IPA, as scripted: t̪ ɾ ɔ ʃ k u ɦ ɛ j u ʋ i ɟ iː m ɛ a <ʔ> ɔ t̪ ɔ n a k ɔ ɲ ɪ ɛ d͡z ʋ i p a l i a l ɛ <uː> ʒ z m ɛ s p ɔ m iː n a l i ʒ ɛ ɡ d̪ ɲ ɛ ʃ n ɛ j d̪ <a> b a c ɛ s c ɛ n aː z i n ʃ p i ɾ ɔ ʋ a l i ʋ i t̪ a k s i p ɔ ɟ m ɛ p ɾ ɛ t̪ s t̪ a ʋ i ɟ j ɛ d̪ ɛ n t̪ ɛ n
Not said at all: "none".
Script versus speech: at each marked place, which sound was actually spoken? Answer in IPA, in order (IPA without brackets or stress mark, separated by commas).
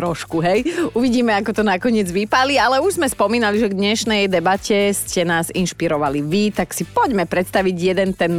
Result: k, u, ɛ